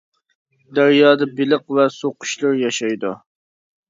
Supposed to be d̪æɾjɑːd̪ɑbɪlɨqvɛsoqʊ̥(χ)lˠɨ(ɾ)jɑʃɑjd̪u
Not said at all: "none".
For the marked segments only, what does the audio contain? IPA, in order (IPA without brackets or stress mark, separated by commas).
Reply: ʃ, ɾ